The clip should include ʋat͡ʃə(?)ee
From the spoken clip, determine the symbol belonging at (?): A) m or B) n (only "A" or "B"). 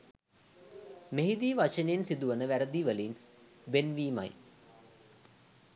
B